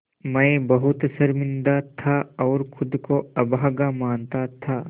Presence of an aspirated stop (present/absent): present